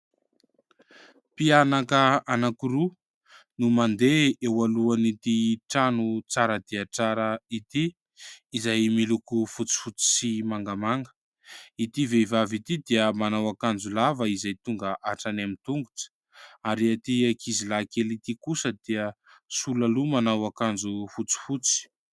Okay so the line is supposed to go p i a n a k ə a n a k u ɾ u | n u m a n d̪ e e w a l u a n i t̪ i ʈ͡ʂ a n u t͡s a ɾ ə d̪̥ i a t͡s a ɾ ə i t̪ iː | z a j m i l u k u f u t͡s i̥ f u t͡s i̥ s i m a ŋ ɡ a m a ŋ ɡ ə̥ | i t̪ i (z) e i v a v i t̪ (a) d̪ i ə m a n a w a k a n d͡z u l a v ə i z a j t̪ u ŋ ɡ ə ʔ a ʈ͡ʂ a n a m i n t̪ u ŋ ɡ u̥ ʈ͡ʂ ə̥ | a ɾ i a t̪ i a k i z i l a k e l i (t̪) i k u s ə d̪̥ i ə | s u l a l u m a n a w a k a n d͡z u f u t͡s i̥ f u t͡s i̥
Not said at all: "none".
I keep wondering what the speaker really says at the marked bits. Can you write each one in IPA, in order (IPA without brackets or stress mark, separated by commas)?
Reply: v, i, t̪